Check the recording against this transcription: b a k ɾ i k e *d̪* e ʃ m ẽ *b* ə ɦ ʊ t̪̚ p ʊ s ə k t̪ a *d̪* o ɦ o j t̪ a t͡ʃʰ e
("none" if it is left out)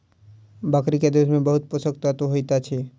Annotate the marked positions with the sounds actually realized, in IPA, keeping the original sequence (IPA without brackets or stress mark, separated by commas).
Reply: d̪, b, t̪